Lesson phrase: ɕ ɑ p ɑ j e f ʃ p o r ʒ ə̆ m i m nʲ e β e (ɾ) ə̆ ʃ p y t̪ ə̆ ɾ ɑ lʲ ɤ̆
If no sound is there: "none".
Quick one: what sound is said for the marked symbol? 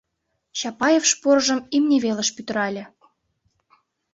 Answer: l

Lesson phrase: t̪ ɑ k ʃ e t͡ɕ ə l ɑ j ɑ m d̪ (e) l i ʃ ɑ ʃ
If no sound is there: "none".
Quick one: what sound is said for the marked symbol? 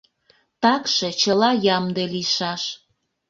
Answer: e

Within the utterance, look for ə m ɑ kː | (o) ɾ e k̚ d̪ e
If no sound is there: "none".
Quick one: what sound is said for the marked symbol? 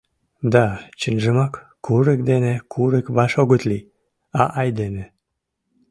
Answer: u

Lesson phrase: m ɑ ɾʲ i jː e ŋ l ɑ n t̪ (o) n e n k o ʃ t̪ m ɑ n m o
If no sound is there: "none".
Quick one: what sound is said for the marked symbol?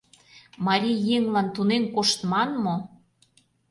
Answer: u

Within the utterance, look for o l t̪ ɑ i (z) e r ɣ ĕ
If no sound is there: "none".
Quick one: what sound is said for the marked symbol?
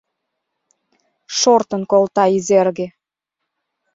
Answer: z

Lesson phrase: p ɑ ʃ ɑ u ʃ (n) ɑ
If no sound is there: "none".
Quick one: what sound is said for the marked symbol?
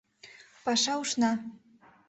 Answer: n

